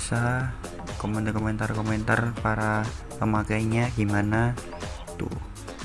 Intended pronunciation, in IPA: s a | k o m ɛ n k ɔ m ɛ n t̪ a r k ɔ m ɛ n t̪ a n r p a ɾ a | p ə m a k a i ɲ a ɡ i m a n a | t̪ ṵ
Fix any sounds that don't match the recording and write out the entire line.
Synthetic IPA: s a | k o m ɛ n k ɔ m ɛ n t̪ a r k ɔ m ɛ n t̪ a r p a ɾ a | p ə m a k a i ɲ a ɡ i m a n a | t̪ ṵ